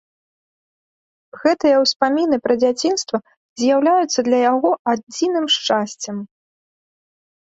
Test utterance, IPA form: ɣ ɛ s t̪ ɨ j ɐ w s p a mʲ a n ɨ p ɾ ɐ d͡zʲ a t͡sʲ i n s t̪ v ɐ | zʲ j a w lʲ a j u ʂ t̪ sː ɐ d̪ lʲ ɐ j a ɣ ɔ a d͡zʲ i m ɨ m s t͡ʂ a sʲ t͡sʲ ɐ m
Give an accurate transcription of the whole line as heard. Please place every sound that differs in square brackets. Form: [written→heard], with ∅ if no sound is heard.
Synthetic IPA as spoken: ɣ ɛ [s→∅] t̪ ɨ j ɐ w s p a mʲ [a→i] n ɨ p ɾ ɐ d͡zʲ a t͡sʲ i n s t̪ v ɐ | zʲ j a w lʲ a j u [ʂ→∅] t̪ sː ɐ d̪ lʲ ɐ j a ɣ ɔ a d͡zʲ i [m→n] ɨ m [s→ʂ] t͡ʂ a sʲ t͡sʲ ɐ m